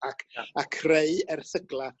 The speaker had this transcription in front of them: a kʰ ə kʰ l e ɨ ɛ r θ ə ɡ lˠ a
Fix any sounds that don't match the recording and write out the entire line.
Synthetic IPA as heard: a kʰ a kʰ r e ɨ ɛ r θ ə ɡ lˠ a